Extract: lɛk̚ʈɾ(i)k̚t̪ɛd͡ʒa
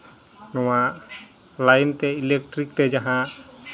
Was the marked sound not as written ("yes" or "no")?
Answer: no